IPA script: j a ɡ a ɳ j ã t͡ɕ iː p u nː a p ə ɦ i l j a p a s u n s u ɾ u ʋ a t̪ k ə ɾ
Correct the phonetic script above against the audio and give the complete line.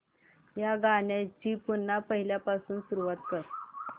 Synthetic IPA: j a ɡ a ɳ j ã t͡ɕ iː p u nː a p ə ɦ i l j a p a s uː n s u ɾ u ʋ a t̪ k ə ɾ